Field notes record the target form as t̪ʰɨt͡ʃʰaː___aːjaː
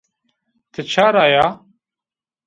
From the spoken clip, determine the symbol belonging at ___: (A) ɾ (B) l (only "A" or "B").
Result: A